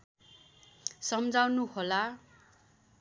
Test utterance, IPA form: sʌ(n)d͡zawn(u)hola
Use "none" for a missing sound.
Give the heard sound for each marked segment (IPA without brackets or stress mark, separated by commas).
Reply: m, u